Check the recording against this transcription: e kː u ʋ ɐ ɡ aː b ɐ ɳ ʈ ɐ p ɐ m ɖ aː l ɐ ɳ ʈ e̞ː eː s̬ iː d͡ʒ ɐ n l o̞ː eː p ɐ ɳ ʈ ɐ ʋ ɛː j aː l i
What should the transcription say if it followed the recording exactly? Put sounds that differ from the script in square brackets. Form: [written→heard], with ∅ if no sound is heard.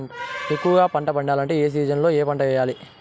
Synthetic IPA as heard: e kː u ʋ ɐ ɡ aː [b→p] ɐ ɳ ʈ ɐ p ɐ [m→ɳ] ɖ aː l ɐ ɳ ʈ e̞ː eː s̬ iː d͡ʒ ɐ n l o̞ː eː p ɐ ɳ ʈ ɐ ʋ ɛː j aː l i

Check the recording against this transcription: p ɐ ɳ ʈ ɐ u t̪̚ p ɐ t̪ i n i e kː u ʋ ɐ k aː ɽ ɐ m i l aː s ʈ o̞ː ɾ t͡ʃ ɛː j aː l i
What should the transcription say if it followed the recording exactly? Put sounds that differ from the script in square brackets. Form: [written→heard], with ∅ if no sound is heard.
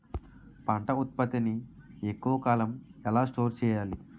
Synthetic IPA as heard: p ɐ ɳ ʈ ɐ u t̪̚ p ɐ t̪ i n i e kː u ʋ ɐ k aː [ɽ→l] ɐ m [i→ɛ] l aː s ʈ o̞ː ɾ t͡ʃ ɛː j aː l i

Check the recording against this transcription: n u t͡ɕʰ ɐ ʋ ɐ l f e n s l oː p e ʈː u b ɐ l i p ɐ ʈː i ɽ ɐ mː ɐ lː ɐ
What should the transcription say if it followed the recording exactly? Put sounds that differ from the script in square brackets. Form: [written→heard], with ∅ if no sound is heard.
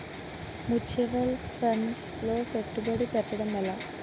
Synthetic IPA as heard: [n→m] u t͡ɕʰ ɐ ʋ ɐ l f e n s l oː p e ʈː u b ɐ [l→ɽ] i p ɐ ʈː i ɽ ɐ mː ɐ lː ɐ

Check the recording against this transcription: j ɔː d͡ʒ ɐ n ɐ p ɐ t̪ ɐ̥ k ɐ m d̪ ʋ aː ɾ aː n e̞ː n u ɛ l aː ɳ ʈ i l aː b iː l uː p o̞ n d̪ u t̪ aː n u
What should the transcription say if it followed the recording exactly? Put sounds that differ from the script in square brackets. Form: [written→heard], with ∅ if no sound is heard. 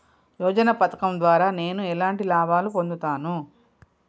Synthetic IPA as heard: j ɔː d͡ʒ ɐ n ɐ p ɐ t̪ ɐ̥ k ɐ m d̪ ʋ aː ɾ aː n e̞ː n u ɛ l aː ɳ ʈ i l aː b [iː→aː] l [uː→u] p o̞ n d̪ u t̪ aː n u

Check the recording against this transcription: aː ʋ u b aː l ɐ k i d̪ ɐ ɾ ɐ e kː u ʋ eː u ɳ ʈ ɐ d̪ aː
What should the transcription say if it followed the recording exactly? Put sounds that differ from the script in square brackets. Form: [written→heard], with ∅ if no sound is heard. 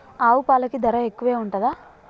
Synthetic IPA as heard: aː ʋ u [b→p] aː l ɐ k i d̪ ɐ ɾ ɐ e kː u ʋ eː u ɳ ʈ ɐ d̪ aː

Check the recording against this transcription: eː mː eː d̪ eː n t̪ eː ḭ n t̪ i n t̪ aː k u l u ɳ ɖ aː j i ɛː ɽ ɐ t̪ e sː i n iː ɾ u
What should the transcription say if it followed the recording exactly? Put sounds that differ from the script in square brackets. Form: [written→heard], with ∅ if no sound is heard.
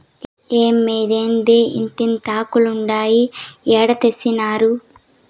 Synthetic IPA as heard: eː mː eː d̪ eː n [t̪→d̪] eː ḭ n t̪ i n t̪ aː k u l u ɳ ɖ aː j i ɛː ɽ ɐ t̪ e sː i n [iː→aː] ɾ u

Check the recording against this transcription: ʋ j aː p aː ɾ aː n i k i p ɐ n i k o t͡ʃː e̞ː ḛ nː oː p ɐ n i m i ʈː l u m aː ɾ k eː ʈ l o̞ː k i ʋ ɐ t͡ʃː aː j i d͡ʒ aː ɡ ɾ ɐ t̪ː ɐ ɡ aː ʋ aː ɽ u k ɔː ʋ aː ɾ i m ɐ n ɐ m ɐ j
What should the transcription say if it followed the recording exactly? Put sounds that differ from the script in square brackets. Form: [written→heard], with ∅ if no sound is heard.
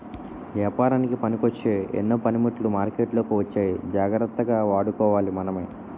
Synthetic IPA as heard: ʋ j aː p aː ɾ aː n i k i p ɐ n i k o t͡ʃː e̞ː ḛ nː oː p ɐ n i m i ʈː l u m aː ɾ k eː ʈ l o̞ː k i ʋ ɐ t͡ʃː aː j i d͡ʒ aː ɡ ɾ ɐ t̪ː ɐ ɡ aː ʋ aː ɽ u k ɔː ʋ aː [ɾ→l] i m ɐ n ɐ m ɐ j

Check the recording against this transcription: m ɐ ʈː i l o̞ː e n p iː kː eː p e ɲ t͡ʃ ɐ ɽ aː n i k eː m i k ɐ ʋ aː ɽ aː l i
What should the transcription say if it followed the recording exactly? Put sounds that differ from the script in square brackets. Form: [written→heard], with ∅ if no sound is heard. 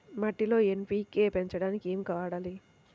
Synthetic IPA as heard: m ɐ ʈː i l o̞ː e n p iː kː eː p e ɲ t͡ʃ ɐ ɽ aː n i k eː m i k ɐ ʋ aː ɽ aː l i

